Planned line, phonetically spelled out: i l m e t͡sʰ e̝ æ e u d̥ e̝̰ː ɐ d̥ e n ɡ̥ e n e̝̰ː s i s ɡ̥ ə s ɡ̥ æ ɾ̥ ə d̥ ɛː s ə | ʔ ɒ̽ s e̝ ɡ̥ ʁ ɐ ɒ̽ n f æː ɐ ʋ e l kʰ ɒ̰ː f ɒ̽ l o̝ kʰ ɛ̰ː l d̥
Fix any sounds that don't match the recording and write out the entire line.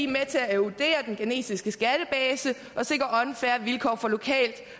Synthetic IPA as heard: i m e t͡sʰ e̝ æ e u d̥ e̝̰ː ɐ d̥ e n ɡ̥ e n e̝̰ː s i s ɡ̥ ə s ɡ̥ æ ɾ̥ ə b̥ ɛː s ə | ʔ ɒ̽ s e̝ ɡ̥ ʁ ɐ ɒ̽ n f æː ɐ ʋ i l kʰ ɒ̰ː f ɒ̽ l o̝ kʰ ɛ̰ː l d̥